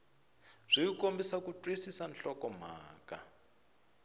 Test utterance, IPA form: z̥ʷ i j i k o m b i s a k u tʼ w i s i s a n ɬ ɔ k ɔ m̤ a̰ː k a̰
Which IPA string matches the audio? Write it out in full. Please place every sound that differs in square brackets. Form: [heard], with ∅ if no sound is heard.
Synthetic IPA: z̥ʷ i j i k o m b i s a k u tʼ w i s i s a n ɬ ɔ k ɔ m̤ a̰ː k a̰